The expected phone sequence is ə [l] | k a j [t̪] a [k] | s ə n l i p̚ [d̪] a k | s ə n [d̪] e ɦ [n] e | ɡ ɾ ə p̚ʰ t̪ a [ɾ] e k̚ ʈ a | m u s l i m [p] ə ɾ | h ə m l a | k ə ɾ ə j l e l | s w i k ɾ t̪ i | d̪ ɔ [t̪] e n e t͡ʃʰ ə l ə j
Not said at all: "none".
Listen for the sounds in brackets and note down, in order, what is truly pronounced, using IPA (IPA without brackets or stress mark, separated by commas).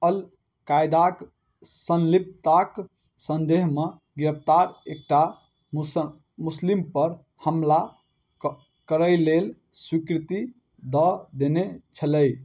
l, d̪, k, t̪, d̪, m, ɾ, p, d̪